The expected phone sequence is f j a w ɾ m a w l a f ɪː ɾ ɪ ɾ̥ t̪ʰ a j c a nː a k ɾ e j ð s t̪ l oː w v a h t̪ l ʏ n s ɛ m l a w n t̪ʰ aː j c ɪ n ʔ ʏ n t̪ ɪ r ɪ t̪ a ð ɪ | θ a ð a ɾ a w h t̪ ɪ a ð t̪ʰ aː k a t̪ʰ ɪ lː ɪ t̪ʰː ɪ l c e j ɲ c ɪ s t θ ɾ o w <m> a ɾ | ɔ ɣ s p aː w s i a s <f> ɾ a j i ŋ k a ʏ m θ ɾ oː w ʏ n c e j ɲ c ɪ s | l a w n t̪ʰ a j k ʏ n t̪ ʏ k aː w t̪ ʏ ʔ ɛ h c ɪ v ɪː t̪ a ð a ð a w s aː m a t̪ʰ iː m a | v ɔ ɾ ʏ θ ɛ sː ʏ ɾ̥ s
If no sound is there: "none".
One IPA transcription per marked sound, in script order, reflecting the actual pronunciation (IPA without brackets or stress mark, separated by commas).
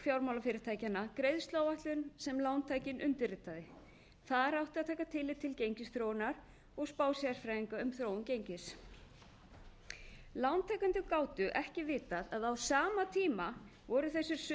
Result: n, f